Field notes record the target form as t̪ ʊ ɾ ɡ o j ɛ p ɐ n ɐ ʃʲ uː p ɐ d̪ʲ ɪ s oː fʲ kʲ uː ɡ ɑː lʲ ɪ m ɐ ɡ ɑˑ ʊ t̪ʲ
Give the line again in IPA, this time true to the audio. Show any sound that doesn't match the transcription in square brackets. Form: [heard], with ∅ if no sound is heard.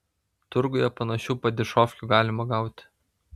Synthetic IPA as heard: t̪ ʊ ɾ ɡ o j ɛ p ɐ n ɐ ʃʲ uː p ɐ d̪ʲ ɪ [ʃ] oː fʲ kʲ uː ɡ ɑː lʲ ɪ m ɐ ɡ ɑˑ ʊ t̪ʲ